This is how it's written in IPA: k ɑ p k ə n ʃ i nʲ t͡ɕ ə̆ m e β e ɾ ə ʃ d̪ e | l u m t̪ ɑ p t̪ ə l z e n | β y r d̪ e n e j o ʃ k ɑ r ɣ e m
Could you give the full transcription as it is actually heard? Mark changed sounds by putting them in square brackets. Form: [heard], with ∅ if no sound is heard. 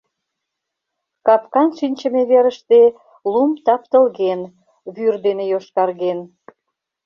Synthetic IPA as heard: k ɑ p k [ɑ] n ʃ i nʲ t͡ɕ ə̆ m e β e ɾ ə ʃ [t̪] e | l u m t̪ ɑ p t̪ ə l [ɣ] e n | β y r d̪ e n e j o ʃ k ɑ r ɣ e [n]